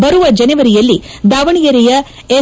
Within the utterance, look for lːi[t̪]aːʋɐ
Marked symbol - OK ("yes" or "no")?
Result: no